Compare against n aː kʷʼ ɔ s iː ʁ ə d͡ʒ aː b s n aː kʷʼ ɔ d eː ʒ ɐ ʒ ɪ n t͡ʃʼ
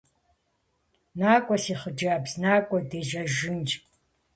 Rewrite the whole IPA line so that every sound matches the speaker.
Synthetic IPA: n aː kʷʼ ɔ s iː χ ə d͡ʒ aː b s n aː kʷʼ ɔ d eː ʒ ɐ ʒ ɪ n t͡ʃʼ